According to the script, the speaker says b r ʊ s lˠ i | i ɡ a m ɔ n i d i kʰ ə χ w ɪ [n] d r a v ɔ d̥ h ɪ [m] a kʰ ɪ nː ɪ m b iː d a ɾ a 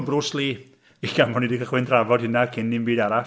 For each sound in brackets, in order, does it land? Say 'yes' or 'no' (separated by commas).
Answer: yes, no